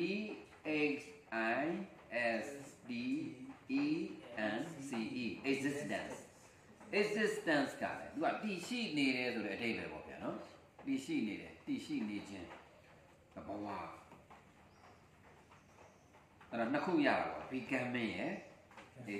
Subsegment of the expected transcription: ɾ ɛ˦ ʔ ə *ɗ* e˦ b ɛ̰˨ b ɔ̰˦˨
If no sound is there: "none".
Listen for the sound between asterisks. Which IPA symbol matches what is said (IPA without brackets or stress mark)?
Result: d